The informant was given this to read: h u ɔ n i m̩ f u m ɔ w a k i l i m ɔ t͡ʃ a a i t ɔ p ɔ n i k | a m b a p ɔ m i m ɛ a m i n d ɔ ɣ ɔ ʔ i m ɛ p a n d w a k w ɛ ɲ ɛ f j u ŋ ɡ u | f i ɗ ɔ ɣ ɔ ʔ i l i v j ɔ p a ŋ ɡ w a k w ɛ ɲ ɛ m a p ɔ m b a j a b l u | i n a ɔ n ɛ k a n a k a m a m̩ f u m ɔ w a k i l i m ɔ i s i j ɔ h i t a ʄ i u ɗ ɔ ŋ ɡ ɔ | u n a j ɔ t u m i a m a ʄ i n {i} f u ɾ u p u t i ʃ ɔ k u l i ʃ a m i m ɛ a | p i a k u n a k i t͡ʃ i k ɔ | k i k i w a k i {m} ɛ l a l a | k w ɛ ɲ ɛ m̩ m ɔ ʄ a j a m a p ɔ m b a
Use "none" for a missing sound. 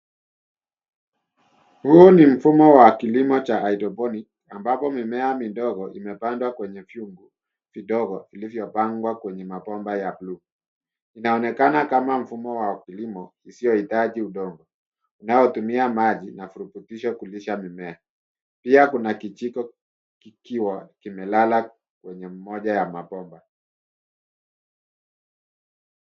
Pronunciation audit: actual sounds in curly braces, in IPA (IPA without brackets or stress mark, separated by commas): a, m